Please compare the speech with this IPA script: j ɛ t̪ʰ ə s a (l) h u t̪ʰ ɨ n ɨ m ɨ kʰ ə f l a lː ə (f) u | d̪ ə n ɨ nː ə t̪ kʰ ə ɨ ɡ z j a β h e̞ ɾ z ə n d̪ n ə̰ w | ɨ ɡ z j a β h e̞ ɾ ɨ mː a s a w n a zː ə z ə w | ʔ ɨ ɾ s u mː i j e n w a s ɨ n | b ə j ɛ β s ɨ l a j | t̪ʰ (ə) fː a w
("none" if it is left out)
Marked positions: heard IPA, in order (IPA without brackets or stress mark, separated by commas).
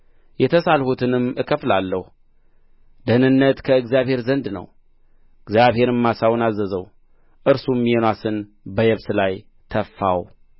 l, h, ə